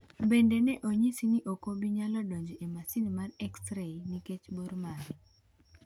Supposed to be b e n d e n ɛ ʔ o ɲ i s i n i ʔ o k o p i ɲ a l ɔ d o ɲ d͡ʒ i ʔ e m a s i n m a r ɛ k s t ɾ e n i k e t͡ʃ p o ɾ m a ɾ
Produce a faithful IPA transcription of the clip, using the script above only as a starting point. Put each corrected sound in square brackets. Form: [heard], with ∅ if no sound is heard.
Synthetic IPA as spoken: b e n d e n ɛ ʔ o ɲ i s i n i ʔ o k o [b] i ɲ a l ɔ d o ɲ d͡ʒ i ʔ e m a s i n m a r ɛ k s t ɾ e n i k e t͡ʃ [b] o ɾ m a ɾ